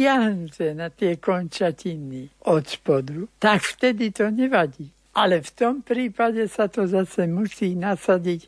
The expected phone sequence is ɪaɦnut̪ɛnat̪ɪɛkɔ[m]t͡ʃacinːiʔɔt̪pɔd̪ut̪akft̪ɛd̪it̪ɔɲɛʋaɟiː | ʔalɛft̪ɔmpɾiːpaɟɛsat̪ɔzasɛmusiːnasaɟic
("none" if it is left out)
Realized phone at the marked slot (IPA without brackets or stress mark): n